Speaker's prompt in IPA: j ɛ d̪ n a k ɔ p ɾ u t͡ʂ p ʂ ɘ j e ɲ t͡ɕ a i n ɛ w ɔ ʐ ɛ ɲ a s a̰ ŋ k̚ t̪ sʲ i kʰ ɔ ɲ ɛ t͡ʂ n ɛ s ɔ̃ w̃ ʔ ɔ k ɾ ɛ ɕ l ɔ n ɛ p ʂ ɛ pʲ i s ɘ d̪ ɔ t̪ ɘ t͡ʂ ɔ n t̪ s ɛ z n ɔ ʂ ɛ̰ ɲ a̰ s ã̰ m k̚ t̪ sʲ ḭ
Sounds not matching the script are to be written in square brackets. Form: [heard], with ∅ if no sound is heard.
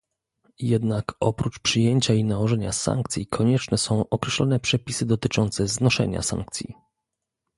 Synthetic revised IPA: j ɛ d̪ n a k ɔ p ɾ u t͡ʂ p ʂ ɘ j e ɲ t͡ɕ a i n [a] w ɔ ʐ ɛ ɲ a s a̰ ŋ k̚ t̪ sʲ i kʰ ɔ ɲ ɛ t͡ʂ n ɛ s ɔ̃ w̃ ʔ ɔ k ɾ ɛ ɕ l ɔ n ɛ p ʂ ɛ pʲ i s ɘ d̪ ɔ t̪ ɘ t͡ʂ ɔ n t̪ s ɛ z n ɔ ʂ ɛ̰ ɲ a̰ s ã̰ [ŋ] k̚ t̪ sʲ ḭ